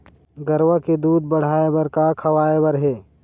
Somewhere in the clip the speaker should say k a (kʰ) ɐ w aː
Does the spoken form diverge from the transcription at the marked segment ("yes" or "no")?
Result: no